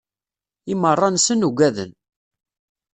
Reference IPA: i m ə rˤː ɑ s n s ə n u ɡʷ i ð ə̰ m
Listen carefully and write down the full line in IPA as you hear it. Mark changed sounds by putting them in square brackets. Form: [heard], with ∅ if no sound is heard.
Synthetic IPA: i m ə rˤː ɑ [∅] n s ə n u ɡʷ [æ] ð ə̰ [n]